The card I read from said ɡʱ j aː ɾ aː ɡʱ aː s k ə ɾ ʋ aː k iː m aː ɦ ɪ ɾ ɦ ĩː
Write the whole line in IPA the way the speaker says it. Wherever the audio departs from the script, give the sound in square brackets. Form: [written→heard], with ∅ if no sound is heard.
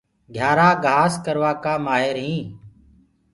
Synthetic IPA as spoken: ɡʱ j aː ɾ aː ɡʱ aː s k ə ɾ ʋ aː k [iː→aː] m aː ɦ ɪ ɾ ɦ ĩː

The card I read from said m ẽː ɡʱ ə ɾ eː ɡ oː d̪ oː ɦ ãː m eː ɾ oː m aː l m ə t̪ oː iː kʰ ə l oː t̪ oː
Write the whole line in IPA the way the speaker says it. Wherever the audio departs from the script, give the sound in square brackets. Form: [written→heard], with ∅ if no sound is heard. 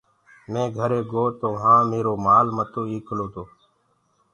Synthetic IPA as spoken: m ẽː ɡʱ ə ɾ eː ɡ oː [d̪→t̪] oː ɦ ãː m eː ɾ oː m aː l m ə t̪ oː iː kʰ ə l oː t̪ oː

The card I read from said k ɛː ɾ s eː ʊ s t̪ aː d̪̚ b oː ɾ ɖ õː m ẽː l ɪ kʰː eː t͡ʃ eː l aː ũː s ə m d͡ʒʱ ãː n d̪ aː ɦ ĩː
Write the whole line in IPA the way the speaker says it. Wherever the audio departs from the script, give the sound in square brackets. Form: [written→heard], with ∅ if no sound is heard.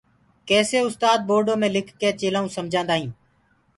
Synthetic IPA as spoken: k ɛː [ɾ→∅] s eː ʊ s t̪ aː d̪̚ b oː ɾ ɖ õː m ẽː l ɪ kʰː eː t͡ʃ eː l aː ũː s ə m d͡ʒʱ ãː n d̪ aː ɦ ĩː

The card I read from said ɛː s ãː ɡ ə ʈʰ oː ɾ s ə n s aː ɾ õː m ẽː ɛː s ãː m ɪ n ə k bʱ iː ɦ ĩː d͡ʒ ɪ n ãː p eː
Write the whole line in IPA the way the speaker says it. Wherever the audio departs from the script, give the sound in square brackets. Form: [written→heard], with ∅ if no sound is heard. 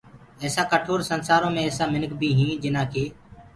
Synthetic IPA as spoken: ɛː s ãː [ɡ→k] ə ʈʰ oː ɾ s ə n s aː ɾ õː m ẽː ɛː s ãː m ɪ n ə k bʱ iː ɦ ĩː d͡ʒ ɪ n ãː [p→k] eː

